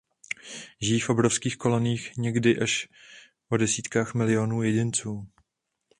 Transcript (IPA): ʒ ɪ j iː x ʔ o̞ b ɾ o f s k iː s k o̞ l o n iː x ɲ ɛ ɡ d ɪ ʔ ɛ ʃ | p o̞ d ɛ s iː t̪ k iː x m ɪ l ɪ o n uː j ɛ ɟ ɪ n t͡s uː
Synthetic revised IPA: ʒ ɪ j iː f ʔ o̞ b ɾ o f s k iː x k o̞ l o n iː x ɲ ɛ ɡ d ɪ ʔ a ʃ | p o̞ d ɛ s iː t̪ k aː x m ɪ l ɪ o n uː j ɛ ɟ ɪ n t͡s uː